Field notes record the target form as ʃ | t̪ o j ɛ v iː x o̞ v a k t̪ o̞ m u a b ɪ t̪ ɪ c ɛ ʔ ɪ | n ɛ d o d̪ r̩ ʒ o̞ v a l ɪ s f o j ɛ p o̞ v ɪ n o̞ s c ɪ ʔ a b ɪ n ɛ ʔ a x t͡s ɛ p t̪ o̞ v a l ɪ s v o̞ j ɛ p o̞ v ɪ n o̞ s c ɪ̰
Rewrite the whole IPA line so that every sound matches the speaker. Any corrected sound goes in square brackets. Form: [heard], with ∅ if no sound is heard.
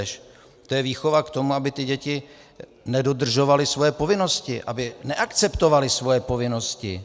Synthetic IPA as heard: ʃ | t̪ o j ɛ v iː x o̞ v a k t̪ o̞ m u a b ɪ t̪ ɪ [ɟ] ɛ [c] ɪ | n ɛ d o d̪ r̩ ʒ o̞ v a l ɪ s [v] o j ɛ p o̞ v ɪ n o̞ s c ɪ ʔ a b ɪ n ɛ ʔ a [k] t͡s ɛ p t̪ o̞ v a l ɪ s v o̞ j ɛ p o̞ v ɪ n o̞ s c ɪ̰